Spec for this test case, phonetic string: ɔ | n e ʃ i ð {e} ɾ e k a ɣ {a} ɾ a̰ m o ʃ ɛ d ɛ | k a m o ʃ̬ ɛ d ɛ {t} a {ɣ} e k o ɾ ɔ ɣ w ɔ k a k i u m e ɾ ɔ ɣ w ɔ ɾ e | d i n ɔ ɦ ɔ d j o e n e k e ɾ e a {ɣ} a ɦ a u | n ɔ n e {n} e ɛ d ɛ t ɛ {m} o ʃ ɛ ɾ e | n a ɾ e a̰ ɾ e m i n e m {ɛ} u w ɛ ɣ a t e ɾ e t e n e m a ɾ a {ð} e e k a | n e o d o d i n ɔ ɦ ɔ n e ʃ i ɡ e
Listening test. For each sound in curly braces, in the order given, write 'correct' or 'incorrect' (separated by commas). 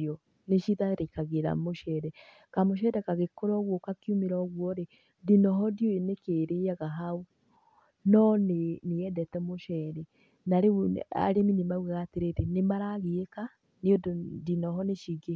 incorrect, incorrect, incorrect, correct, correct, correct, correct, incorrect, incorrect